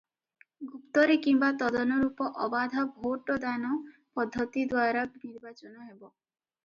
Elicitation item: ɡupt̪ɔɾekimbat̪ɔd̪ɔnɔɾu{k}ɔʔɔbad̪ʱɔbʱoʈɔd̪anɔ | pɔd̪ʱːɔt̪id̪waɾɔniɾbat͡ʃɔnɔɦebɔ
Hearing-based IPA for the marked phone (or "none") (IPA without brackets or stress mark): p